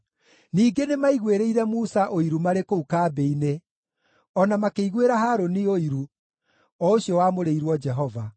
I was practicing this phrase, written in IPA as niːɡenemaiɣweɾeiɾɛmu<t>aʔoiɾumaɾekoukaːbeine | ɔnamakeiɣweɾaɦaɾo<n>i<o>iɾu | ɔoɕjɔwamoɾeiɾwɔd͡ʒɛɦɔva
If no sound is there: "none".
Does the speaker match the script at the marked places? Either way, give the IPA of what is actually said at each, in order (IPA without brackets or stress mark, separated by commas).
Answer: s, n, o